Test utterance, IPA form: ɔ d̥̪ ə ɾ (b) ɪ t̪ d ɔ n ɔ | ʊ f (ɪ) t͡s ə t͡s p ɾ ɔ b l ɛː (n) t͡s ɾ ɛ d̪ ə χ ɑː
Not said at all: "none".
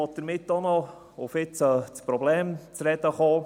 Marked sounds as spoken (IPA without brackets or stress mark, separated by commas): m, ɪ, m